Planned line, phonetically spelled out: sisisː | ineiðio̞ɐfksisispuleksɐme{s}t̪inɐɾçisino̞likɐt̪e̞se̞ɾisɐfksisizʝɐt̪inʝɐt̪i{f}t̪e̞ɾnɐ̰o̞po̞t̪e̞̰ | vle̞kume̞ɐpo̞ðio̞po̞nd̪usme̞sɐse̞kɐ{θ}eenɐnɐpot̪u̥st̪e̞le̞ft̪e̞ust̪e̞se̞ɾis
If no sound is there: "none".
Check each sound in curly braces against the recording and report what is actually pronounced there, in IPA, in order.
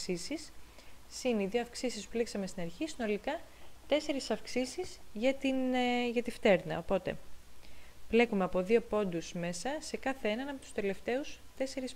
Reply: s, f, θ

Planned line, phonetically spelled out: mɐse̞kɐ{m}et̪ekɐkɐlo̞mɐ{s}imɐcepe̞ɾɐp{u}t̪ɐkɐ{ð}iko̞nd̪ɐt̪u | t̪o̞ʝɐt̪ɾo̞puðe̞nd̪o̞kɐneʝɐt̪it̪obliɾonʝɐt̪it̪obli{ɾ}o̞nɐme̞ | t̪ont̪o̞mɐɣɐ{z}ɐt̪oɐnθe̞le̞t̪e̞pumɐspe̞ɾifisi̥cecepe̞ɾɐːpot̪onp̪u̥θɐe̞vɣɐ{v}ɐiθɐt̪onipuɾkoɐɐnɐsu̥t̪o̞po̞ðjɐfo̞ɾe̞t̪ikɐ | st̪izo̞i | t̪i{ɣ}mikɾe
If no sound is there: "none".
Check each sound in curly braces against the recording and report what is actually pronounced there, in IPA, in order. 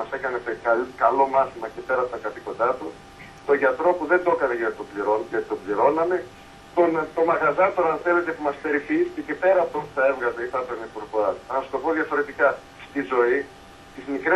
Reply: n, θ, o, θ, ɾ, z, z, z

